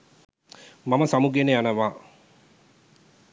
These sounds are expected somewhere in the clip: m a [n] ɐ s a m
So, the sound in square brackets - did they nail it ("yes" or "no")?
no